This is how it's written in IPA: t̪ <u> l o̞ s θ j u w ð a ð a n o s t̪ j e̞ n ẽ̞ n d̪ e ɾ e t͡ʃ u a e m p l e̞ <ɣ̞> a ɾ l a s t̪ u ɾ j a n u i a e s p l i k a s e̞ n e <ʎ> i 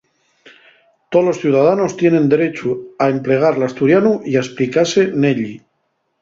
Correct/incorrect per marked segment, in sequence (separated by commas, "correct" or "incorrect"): incorrect, correct, correct